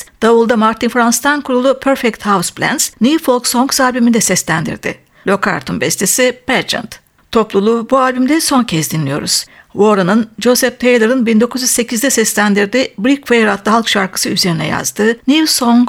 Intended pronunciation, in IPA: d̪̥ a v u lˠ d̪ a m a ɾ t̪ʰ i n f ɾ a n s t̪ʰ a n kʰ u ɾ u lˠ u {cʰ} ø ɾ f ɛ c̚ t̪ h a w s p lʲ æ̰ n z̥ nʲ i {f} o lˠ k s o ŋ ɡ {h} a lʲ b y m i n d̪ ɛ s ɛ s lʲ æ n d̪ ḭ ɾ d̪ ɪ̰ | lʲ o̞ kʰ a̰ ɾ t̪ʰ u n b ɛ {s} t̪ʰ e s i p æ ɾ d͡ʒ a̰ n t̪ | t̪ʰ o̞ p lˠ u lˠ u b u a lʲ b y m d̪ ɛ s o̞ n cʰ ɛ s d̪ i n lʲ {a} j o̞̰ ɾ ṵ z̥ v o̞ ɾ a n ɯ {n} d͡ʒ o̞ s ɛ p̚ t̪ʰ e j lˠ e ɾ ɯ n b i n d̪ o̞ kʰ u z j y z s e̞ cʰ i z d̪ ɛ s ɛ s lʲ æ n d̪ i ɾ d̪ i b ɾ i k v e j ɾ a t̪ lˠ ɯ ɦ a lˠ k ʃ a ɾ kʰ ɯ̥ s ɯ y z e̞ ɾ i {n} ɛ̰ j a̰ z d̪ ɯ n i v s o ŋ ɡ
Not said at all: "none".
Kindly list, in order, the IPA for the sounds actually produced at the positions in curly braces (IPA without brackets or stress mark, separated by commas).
pʰ, f, s, s, i, n, n